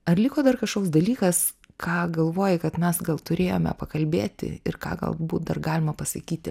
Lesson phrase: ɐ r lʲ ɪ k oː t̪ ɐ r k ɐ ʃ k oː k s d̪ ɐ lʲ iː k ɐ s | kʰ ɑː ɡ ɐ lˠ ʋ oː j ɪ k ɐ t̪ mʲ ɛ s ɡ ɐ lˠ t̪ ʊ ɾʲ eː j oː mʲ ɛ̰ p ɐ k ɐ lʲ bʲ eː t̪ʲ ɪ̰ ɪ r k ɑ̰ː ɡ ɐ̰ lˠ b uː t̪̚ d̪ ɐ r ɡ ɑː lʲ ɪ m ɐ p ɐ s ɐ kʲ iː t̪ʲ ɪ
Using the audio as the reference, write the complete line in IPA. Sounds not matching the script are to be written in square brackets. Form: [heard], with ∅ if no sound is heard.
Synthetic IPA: ɐ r lʲ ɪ k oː [d̪] ɐ r k ɐ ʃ k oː k s d̪ ɐ lʲ iː k ɐ s | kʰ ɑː ɡ ɐ lˠ ʋ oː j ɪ k ɐ t̪ mʲ ɛ s ɡ ɐ lˠ t̪ ʊ ɾʲ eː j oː mʲ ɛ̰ p ɐ k ɐ lʲ bʲ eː t̪ʲ ɪ̰ ɪ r k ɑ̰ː ɡ ɐ̰ lˠ b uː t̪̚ d̪ ɐ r ɡ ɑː lʲ ɪ m ɐ p ɐ s ɐ kʲ iː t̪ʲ ɪ